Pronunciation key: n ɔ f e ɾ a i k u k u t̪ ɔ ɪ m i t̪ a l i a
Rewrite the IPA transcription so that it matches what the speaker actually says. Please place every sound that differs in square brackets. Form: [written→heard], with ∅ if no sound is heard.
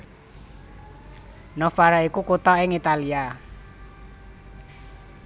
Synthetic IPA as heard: n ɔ f [e→a] ɾ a i k u k u t̪ ɔ ɪ [m→ŋ] i t̪ a l i a